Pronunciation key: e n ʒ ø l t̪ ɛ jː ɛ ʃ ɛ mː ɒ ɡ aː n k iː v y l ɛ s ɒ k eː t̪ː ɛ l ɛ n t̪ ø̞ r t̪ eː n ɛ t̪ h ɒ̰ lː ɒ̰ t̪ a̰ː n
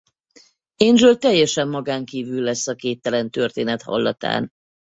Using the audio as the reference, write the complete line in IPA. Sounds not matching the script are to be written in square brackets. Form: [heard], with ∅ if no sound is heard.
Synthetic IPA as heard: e n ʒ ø l t̪ ɛ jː ɛ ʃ ɛ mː ɒ ɡ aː [ŋ] k iː v y [lː] ɛ [sː] ɒ k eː t̪ː ɛ l ɛ n t̪ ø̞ r t̪ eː n ɛ t̪ h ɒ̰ lː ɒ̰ t̪ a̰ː n